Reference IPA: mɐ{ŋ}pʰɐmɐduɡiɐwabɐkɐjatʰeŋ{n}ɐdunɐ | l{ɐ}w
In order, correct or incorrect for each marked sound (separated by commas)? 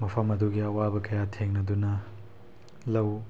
incorrect, correct, correct